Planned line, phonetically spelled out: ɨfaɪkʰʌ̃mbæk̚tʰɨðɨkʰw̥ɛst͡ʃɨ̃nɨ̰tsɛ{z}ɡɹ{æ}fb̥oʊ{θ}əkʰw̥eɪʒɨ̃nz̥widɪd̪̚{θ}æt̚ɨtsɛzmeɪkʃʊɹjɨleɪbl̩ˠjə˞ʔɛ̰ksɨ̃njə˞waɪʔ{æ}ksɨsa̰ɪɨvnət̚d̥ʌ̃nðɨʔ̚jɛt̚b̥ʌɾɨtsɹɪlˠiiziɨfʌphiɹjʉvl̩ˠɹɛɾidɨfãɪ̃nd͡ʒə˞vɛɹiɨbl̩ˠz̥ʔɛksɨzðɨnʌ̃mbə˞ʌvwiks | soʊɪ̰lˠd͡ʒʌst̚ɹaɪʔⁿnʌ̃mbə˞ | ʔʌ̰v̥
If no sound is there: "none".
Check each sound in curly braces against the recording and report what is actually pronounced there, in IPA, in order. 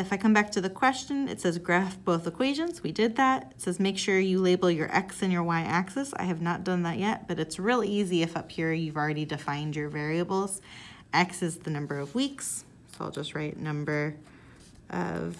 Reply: z, æ, θ, ð, æ

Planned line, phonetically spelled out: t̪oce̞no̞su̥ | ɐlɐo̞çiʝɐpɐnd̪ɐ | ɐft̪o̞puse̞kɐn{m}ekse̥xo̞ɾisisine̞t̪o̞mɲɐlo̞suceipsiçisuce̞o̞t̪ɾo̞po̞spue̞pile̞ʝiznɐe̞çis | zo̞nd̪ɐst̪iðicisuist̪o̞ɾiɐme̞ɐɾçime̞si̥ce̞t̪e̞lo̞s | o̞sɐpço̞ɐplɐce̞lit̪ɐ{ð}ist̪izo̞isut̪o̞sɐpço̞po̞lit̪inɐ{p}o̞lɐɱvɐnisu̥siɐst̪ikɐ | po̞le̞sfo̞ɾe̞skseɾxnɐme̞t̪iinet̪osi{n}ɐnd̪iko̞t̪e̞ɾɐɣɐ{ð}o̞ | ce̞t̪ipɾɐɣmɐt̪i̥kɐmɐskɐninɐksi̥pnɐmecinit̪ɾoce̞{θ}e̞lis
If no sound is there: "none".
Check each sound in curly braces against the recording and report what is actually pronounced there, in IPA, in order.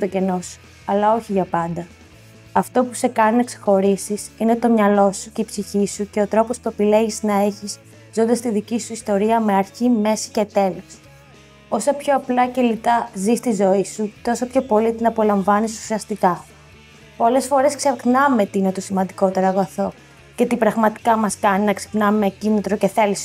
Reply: n, z, p, m, θ, θ

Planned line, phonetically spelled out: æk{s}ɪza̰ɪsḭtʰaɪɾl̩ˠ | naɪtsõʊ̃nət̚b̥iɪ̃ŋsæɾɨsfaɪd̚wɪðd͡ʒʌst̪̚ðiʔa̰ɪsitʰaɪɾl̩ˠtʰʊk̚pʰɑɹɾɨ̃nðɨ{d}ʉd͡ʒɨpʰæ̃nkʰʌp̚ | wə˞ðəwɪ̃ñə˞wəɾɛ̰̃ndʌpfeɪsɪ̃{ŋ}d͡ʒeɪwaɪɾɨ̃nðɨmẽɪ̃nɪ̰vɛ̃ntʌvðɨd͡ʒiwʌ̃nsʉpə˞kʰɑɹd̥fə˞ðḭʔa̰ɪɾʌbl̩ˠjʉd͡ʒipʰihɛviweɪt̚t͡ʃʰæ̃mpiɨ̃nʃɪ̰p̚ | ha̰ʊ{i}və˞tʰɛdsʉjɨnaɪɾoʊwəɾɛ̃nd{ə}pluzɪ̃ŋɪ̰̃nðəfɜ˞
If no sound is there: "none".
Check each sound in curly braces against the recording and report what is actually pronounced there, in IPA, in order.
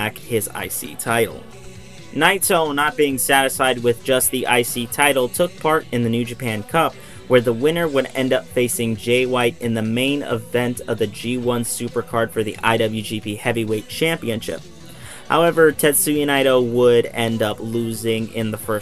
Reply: h, n, ŋ, ɛ, ʌ

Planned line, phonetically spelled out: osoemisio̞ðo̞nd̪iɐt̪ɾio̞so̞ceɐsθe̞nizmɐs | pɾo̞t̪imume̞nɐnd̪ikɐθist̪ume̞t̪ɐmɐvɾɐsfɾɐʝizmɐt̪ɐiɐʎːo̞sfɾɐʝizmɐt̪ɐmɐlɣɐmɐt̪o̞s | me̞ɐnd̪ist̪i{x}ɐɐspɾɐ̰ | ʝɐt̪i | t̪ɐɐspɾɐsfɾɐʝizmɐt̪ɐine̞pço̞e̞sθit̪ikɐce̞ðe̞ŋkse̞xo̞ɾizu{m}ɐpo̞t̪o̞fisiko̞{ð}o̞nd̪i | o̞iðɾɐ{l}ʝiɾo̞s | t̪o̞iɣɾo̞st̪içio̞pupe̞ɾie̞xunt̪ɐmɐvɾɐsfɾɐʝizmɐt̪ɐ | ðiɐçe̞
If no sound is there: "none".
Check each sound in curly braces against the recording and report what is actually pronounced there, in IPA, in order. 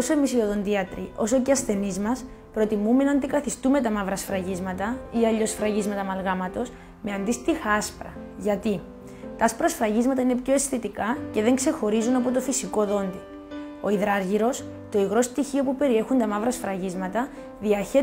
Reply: x, n, ð, ɾ

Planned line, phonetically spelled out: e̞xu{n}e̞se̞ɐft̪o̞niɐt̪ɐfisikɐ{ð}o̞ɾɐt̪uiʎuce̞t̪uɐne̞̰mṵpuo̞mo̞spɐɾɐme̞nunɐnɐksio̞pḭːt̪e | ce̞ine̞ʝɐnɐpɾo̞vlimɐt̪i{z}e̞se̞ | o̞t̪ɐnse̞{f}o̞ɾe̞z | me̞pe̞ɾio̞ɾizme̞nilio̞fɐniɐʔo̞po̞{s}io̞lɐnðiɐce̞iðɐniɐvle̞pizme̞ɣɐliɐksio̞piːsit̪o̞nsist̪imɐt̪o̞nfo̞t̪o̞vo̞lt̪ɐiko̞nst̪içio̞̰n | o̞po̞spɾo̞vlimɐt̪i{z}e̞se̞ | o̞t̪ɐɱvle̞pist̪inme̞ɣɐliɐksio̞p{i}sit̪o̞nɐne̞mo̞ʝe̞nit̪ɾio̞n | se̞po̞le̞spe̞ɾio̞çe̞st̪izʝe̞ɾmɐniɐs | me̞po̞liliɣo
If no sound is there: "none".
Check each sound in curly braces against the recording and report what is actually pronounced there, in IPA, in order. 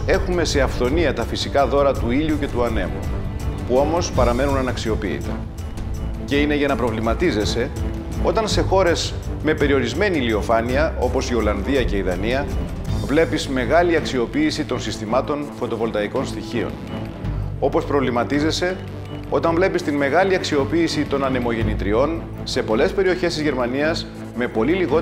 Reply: m, ð, z, x, s, z, iː

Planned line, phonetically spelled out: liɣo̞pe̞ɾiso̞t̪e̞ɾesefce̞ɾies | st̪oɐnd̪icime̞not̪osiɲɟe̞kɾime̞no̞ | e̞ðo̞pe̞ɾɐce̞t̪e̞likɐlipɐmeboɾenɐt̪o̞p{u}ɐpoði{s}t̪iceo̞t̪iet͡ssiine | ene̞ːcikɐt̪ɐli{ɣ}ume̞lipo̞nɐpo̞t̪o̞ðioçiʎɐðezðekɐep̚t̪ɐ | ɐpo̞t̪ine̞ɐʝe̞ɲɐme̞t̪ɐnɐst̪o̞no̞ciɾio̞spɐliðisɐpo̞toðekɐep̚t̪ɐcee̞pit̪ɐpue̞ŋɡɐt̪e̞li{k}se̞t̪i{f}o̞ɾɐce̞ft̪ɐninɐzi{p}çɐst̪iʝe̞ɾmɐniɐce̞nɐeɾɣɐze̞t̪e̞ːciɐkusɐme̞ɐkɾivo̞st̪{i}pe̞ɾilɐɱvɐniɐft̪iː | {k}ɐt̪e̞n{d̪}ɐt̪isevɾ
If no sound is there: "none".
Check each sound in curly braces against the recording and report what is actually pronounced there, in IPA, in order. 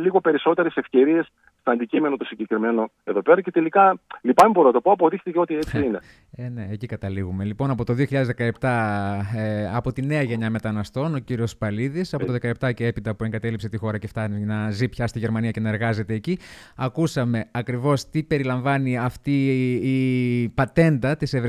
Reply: o, x, ɣ, p, x, p, i, p, d̪

